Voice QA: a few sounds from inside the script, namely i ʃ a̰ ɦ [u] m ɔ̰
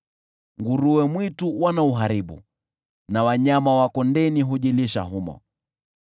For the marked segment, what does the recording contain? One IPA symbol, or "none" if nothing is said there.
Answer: u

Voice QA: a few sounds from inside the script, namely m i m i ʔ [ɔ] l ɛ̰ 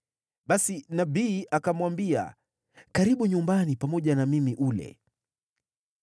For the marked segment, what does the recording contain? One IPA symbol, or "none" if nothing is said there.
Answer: u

